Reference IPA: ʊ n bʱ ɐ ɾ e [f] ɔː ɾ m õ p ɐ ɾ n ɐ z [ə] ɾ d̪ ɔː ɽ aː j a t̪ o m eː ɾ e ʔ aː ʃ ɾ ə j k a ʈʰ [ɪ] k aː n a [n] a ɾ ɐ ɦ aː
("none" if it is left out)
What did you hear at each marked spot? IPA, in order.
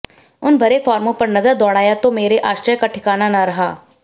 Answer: f, ə, ɪ, n

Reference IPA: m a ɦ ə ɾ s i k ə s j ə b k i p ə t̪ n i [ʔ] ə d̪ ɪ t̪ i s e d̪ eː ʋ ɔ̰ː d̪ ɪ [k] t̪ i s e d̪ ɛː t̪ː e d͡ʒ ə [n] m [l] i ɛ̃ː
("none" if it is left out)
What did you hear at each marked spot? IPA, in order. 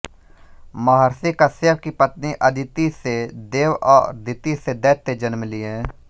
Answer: ʔ, none, n, l

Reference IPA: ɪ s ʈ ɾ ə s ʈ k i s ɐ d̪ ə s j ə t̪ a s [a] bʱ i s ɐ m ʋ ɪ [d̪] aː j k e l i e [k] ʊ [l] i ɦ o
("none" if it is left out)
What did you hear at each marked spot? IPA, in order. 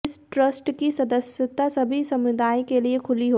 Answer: ɐ, d̪, kʰ, l

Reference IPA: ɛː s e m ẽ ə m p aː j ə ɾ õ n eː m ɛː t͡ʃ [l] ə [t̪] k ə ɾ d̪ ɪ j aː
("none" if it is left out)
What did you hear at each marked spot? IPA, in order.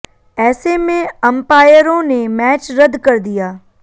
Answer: ɾ, d̪

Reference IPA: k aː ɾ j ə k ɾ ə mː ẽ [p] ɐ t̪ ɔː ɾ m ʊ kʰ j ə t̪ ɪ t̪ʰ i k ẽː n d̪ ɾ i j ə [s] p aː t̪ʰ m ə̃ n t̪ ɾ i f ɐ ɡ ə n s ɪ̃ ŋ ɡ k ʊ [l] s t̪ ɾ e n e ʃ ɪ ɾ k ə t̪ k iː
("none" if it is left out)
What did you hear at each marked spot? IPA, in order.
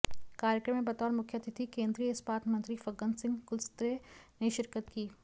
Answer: b, s, l

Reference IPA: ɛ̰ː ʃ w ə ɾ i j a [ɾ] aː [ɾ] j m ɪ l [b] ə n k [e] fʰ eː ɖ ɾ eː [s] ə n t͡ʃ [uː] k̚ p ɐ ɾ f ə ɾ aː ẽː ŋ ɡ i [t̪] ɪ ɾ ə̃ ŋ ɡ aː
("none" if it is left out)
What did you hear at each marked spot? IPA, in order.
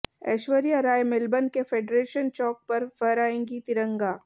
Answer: ɾ, none, b, e, ʃ, ɔː, t̪

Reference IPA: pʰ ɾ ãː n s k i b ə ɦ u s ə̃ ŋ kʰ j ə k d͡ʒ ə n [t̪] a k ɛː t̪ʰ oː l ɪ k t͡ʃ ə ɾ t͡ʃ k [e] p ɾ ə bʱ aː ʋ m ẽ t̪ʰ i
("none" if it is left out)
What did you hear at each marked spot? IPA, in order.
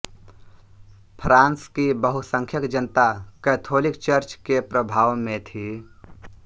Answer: t̪, e

